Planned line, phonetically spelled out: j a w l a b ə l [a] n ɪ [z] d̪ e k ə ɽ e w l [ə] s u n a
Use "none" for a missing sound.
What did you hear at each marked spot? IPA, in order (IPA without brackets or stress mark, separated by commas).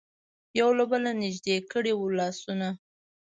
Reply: a, ʒ, ɑ